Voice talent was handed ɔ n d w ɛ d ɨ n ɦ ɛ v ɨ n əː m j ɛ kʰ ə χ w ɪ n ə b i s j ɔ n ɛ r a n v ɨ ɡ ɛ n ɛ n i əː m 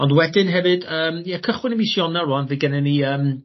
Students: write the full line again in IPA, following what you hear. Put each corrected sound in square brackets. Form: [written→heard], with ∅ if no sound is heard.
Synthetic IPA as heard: ɔ n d w ɛ d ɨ n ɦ ɛ v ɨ [n→d] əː m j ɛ kʰ ə χ w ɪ n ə [b→m] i s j ɔ n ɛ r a n v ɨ ɡ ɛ n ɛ n i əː m